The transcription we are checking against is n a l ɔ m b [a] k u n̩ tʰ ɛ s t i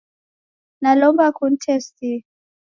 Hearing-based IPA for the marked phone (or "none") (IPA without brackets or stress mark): a